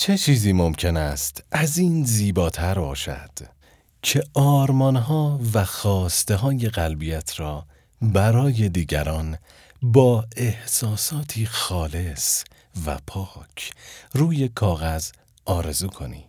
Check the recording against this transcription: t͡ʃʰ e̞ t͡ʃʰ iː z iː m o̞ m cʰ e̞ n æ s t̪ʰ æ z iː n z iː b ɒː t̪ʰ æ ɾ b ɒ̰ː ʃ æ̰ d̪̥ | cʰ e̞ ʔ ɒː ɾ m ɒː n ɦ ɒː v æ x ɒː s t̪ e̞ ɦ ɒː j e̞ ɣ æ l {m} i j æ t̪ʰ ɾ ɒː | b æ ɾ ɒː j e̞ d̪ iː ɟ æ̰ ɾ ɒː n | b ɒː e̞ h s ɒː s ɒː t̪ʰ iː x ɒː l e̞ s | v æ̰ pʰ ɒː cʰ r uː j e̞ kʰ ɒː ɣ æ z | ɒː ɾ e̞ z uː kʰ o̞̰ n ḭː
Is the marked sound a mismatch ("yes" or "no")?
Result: yes